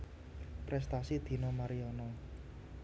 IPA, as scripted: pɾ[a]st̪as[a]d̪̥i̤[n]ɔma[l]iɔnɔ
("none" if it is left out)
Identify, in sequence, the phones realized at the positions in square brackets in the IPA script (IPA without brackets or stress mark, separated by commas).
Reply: ɛ, i, n, ɾ